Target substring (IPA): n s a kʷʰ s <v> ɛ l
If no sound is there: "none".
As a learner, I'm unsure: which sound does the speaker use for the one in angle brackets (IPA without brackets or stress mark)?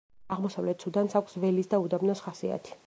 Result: v